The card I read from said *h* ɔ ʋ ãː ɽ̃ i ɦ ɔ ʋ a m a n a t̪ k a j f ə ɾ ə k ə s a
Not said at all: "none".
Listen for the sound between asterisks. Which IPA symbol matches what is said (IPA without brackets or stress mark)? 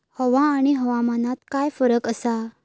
h